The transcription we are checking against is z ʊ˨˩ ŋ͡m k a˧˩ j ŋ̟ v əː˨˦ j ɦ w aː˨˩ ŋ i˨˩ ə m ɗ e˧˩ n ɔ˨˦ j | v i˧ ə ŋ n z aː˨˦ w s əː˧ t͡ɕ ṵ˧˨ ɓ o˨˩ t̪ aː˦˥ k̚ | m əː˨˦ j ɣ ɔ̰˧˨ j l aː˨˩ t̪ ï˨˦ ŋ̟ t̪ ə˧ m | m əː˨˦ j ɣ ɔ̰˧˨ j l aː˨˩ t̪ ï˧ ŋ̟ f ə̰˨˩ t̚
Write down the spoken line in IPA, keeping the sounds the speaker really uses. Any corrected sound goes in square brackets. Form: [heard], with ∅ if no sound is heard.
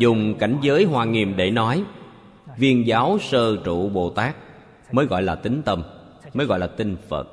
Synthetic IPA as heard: z ʊ˨˩ ŋ͡m k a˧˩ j ŋ̟ [z] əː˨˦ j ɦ w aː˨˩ ŋ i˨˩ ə m ɗ e˧˩ n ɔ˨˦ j | v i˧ ə [∅] n z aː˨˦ w s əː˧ t͡ɕ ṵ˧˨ ɓ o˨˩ t̪ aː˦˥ k̚ | m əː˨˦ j ɣ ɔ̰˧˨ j l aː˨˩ t̪ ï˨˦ ŋ̟ t̪ ə˧ m | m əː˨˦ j ɣ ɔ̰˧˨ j l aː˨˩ t̪ ï˧ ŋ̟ f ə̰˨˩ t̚